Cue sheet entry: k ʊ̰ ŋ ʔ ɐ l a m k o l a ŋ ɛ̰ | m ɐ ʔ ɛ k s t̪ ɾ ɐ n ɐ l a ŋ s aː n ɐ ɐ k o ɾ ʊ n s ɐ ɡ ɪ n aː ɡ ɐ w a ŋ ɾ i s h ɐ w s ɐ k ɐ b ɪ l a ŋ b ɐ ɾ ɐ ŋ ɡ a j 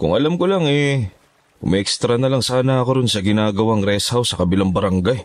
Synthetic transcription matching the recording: k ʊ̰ ŋ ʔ ɐ l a m k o l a ŋ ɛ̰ | m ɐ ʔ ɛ k s t̪ ɾ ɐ n ɐ l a ŋ s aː n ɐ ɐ k o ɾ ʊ n s ɐ ɡ ɪ n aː ɡ ɐ w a ŋ ɾ ɛ s h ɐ w s ɐ k ɐ b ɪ l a ŋ b ɐ ɾ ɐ ŋ ɡ a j